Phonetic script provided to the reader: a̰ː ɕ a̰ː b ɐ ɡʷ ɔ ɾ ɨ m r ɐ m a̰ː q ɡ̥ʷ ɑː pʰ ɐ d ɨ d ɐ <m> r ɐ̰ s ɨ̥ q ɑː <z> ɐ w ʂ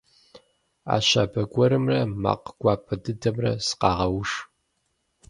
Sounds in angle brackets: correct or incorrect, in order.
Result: correct, incorrect

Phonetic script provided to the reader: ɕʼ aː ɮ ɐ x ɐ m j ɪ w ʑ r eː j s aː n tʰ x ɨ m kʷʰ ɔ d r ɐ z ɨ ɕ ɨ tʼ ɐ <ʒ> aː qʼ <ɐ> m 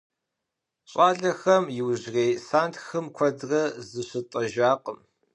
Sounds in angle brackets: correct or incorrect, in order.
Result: correct, incorrect

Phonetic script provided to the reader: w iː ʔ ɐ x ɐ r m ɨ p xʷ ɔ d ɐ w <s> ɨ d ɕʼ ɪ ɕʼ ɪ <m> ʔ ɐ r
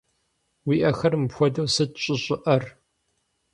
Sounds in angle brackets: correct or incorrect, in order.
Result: correct, incorrect

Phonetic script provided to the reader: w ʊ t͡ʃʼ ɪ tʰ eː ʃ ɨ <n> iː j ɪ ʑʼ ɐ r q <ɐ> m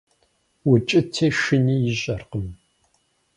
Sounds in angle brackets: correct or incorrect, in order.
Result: correct, incorrect

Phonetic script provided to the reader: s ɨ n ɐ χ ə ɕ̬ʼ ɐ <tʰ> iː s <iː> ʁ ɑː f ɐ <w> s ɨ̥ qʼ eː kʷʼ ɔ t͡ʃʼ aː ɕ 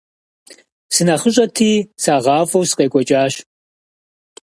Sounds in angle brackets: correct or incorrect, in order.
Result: correct, incorrect, correct

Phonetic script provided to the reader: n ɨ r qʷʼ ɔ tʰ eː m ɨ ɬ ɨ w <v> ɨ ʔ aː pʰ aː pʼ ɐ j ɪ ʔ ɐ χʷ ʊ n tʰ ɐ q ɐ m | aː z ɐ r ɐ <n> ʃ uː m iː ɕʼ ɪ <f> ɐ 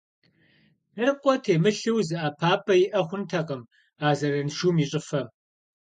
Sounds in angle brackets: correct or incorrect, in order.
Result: incorrect, correct, correct

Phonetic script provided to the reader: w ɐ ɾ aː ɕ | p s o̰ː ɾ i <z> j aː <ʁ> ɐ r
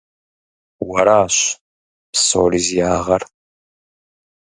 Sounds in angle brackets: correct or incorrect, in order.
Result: correct, correct

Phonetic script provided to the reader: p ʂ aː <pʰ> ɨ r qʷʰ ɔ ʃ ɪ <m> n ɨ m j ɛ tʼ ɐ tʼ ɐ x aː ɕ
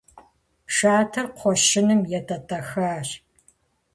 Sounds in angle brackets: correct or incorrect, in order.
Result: incorrect, incorrect

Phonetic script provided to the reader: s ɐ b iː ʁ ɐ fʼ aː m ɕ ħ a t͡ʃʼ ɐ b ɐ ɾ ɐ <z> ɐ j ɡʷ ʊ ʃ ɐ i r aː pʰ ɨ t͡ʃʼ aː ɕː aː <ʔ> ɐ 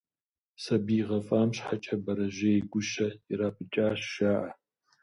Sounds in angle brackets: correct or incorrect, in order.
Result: incorrect, correct

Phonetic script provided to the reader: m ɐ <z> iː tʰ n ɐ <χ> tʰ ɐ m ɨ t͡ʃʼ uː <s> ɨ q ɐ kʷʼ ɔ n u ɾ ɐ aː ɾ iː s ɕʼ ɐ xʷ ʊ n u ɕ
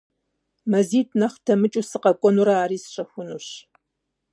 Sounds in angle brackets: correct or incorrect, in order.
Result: correct, correct, correct

